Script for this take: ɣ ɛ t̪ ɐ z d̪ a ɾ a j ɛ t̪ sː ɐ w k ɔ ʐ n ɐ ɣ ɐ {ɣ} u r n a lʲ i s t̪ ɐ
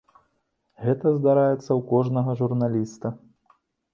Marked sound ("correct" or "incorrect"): incorrect